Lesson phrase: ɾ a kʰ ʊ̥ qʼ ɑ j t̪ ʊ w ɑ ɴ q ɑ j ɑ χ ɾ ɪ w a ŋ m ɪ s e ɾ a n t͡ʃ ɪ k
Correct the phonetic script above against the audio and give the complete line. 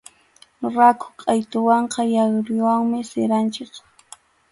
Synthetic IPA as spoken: ɾ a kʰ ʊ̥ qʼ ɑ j t̪ ʊ w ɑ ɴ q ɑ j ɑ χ ɾ ɪ w a ŋ m ɪ s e ɾ a n t͡ʃ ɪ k